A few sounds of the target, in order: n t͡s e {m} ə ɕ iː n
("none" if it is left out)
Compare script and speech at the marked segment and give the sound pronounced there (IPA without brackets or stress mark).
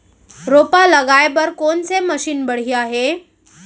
m